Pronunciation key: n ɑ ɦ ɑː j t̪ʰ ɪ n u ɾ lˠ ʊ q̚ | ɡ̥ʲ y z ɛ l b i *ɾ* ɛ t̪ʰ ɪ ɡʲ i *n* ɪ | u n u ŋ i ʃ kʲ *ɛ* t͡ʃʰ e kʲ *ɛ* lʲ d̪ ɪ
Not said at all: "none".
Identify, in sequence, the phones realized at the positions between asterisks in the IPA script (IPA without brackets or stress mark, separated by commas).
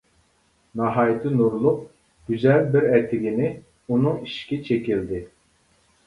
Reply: ɾ, n, i, i